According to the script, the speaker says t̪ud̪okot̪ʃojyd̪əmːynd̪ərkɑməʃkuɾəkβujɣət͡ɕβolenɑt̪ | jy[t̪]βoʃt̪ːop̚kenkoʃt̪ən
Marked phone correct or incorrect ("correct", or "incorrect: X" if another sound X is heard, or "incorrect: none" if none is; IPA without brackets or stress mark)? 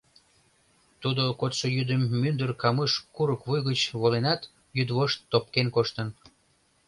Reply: incorrect: d̪